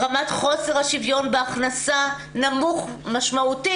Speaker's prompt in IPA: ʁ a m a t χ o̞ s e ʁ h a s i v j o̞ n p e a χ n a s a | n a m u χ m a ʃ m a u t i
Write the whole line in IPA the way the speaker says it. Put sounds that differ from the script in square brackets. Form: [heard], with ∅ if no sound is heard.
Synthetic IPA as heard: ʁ a m a t χ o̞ s e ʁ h a [ʃ] i v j o̞ n [b] e a χ n a s a | n a m u χ m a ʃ m a u t i